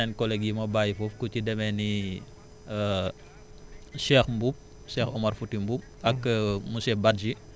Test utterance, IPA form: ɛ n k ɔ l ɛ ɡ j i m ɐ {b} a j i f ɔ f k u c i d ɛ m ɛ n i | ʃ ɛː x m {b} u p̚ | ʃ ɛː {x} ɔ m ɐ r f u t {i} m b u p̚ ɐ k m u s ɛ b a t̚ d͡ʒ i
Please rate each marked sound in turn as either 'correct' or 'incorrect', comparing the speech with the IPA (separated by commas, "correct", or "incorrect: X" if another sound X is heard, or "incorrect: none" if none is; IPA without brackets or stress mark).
correct, correct, correct, correct